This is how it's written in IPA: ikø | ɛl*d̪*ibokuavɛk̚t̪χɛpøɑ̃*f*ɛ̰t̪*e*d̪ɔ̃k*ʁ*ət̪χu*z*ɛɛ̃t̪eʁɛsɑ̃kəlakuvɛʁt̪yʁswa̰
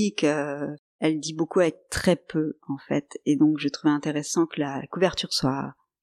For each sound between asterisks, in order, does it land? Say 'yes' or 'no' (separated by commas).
yes, yes, yes, no, no